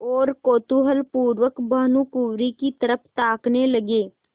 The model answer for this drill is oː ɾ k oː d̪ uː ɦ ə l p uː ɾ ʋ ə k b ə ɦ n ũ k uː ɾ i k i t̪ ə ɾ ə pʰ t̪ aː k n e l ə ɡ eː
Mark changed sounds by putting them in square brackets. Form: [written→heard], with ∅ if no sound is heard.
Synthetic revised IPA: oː ɾ k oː [d̪→t̪] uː ɦ ə l p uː ɾ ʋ ə k b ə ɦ n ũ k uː ɾ i k i t̪ ə ɾ ə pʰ t̪ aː k n e l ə ɡ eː